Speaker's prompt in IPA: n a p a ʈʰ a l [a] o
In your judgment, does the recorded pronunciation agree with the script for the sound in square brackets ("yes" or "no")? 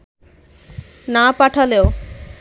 no